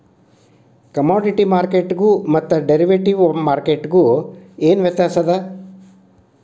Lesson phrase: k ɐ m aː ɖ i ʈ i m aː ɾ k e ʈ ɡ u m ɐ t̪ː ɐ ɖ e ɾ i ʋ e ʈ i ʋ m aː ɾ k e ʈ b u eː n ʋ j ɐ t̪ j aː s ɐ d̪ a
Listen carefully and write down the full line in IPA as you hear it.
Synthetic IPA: k ɐ m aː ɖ i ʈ i m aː ɾ k e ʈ ɡ u m ɐ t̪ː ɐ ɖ e ɾ i ʋ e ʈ i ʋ m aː ɾ k e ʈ ɡ u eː n ʋ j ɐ t̪ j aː s ɐ d̪ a